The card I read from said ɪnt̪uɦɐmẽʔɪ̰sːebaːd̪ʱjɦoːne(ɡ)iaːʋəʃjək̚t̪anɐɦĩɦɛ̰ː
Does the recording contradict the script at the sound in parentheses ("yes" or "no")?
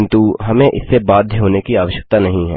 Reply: yes